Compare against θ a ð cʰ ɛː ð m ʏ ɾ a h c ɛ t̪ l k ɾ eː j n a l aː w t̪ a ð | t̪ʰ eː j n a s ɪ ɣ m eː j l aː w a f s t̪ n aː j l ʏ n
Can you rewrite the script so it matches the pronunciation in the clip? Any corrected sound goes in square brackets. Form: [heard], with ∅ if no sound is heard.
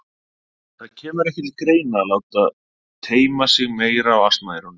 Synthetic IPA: θ a ð cʰ ɛː [∅] m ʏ ɾ [ɛ] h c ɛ t̪ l k ɾ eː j n a l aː w t̪ a ð | t̪ʰ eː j [m] a s ɪ ɣ m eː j [ɾ] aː w a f s t̪ [m] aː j [ɾ] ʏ n